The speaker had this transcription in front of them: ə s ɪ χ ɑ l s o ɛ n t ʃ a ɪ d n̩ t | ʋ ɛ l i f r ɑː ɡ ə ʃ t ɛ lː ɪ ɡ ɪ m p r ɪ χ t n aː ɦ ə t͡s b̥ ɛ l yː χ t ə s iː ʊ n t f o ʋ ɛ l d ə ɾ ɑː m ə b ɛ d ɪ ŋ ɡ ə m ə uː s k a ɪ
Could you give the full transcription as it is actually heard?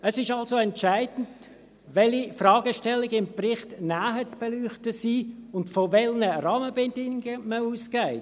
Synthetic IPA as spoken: ə s ɪ ʃ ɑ l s o ɛ n t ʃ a ɪ d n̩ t | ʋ ɛ l i f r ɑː ɡ ə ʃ t ɛ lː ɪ ɡ ɪ m p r ɪ χ t n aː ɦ ə t͡s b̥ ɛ l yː χ t ə s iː ʊ n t f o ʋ ɛ l n ə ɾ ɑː m ə b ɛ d ɪ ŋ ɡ ə m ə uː s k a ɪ